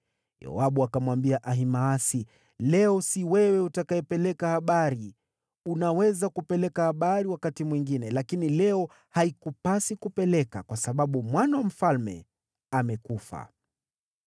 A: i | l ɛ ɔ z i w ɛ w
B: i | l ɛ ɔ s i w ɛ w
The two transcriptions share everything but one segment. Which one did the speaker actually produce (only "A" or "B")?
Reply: B